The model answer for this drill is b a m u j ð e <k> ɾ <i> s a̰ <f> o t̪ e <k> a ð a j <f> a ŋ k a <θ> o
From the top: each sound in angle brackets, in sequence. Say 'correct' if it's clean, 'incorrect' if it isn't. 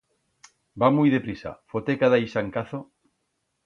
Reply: incorrect: p, correct, correct, correct, incorrect: s, correct

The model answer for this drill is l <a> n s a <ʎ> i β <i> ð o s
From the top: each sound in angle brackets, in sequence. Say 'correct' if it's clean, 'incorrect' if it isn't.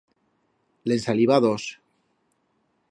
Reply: incorrect: e, incorrect: l, incorrect: a

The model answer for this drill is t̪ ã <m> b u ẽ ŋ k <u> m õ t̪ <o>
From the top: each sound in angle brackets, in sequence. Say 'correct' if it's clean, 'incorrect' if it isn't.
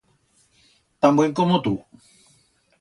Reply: correct, incorrect: o, incorrect: u

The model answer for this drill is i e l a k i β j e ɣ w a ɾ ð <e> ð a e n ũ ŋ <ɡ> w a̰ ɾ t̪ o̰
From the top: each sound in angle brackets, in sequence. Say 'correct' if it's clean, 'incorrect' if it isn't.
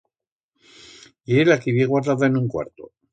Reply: incorrect: a, incorrect: k

